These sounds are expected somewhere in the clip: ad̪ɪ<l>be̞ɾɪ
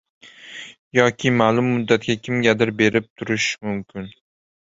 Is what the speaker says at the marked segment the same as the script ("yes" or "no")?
no